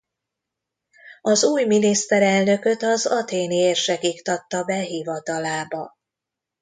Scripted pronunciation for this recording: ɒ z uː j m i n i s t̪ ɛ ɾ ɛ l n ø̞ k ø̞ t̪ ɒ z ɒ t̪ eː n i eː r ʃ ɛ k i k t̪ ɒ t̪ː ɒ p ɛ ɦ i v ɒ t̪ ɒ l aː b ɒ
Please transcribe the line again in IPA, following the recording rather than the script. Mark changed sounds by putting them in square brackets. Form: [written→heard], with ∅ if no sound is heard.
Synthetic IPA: ɒ z uː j m i n i s t̪ ɛ ɾ ɛ l n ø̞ k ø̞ t̪ ɒ z ɒ t̪ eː n i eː r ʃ ɛ k i k t̪ ɒ t̪ː ɒ [p→b] ɛ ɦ i v ɒ t̪ ɒ l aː b ɒ